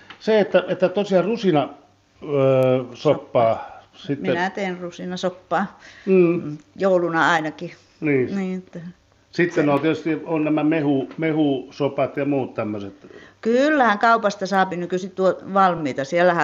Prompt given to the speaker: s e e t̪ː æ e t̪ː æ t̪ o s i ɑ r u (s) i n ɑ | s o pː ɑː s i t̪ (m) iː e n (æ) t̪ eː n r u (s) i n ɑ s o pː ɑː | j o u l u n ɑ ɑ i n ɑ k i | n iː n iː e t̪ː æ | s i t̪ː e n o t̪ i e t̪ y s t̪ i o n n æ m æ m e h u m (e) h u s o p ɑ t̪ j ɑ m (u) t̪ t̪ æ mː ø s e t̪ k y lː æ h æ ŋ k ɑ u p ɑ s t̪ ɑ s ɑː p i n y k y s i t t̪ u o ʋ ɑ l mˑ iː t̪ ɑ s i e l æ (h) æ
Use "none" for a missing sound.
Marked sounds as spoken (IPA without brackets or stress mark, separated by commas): s, m, æ, s, e, uː, h